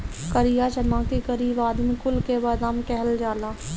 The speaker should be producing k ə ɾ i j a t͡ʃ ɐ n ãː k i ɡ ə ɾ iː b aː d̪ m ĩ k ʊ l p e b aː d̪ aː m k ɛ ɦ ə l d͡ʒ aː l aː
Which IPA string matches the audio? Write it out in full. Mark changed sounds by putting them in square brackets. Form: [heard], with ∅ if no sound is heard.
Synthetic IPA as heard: k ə ɾ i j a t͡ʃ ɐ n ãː k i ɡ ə ɾ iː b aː d̪ m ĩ k ʊ l [k] e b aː d̪ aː m k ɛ ɦ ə l d͡ʒ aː l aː